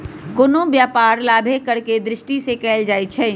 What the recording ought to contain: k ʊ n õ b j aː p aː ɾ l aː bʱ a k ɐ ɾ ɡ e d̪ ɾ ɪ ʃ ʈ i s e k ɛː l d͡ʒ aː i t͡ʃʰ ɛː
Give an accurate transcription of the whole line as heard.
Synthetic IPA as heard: k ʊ n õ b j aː p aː ɾ l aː bʱ e k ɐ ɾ k e d̪ ɾ ɪ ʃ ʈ i s e k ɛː l d͡ʒ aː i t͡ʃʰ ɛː